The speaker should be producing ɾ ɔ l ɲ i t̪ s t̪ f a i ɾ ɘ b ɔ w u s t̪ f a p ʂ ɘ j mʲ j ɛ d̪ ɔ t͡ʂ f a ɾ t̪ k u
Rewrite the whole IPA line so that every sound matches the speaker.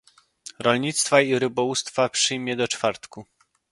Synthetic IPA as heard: ɾ ɔ l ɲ i t̪ s t̪ f a i ɾ ɘ b ɔ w u s t̪ f a p ʂ ɘ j mʲ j ɛ d̪ ɔ t͡ʂ f a ɾ t̪ k u